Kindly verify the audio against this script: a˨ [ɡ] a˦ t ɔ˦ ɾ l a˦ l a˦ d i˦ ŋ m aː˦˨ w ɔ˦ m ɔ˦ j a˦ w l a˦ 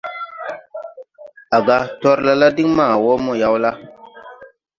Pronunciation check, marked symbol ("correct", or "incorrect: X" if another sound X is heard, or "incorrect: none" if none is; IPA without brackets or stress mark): correct